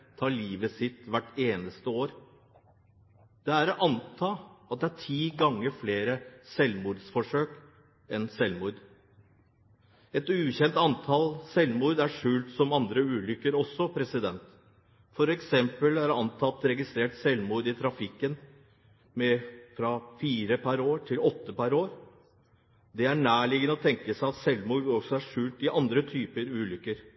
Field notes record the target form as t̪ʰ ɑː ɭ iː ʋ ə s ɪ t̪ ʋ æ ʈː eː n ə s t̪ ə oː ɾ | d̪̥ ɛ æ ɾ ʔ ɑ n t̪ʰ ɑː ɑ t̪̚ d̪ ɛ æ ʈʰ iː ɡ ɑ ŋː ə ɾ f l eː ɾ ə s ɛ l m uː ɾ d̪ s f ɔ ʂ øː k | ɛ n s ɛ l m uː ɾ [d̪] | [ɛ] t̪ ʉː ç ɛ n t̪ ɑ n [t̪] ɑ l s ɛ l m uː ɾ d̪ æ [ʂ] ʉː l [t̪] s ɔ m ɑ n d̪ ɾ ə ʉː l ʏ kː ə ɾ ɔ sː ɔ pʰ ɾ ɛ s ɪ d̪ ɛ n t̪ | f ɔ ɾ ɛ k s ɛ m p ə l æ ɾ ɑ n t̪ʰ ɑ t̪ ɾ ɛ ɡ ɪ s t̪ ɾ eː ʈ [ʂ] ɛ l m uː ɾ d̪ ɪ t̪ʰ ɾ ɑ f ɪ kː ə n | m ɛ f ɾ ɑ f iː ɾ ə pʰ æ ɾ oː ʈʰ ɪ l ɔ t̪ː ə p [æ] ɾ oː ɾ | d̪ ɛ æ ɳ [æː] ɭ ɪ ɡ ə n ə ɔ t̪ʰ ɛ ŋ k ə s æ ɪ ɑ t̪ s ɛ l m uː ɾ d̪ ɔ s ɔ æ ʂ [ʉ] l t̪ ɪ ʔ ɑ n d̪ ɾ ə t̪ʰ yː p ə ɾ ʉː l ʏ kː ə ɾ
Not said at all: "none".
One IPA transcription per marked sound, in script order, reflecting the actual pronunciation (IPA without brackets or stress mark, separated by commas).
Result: d̪, ɛ, t̪ʰ, ʂ, t̪, s, æ, æː, ʉː